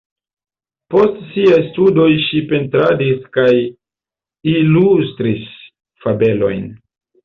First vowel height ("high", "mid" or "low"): mid